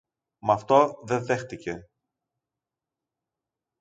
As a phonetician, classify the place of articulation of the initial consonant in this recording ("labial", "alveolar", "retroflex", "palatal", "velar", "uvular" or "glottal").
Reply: labial